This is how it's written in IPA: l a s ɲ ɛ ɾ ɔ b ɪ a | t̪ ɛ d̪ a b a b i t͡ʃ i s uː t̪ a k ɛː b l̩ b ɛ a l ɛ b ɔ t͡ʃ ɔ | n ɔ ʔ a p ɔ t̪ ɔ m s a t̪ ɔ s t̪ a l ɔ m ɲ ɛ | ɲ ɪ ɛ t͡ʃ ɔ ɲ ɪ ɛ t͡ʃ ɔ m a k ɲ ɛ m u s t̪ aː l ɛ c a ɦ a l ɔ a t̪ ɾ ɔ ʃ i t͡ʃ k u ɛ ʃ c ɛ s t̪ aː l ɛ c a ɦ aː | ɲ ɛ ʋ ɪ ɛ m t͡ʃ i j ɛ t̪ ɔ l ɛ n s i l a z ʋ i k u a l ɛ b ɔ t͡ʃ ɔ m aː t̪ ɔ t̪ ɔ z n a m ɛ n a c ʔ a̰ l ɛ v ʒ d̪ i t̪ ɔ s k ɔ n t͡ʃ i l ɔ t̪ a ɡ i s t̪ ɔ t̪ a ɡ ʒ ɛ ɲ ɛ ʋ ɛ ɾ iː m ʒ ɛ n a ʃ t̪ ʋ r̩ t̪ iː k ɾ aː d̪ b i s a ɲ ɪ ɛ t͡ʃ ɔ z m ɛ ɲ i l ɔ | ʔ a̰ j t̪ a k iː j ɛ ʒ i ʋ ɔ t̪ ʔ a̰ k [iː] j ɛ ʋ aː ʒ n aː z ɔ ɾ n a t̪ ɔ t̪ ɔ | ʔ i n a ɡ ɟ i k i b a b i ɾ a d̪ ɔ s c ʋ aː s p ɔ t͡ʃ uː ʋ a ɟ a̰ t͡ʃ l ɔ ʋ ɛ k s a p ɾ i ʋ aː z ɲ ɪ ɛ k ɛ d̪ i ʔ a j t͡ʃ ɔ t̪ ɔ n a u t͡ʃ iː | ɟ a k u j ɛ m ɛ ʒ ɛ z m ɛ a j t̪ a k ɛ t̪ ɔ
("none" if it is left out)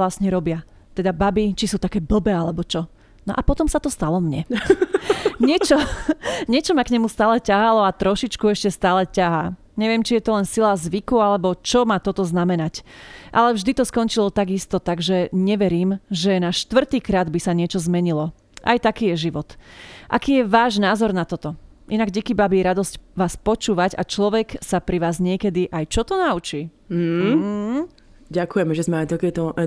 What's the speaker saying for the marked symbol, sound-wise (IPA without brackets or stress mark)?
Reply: iː